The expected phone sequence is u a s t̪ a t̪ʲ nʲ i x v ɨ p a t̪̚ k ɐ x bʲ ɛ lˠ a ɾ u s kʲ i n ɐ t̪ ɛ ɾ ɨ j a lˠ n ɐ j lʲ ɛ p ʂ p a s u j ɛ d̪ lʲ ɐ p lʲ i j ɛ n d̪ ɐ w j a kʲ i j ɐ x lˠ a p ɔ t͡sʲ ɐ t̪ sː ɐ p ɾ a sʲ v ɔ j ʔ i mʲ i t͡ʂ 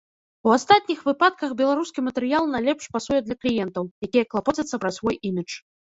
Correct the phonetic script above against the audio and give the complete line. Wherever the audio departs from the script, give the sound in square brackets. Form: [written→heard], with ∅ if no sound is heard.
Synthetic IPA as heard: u a s t̪ a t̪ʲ nʲ i x v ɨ p a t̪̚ k ɐ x bʲ ɛ lˠ a ɾ u s kʲ i [n→m] ɐ t̪ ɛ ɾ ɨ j a lˠ n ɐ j lʲ ɛ p ʂ p a s u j ɛ d̪ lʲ ɐ [p→k] lʲ i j ɛ n [d̪→t̪] ɐ w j a kʲ i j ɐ [x→k] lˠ a p ɔ t͡sʲ ɐ t̪ sː ɐ p ɾ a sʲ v ɔ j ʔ i mʲ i t͡ʂ